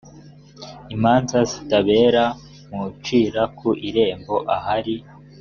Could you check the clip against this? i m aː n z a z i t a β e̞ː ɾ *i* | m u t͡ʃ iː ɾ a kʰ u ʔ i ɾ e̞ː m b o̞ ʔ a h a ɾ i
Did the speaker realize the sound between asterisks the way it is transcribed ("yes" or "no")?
no